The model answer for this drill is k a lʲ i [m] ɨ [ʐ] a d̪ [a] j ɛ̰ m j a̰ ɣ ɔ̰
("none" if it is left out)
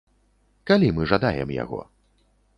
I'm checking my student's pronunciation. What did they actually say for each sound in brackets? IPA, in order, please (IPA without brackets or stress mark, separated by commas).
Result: m, ʐ, a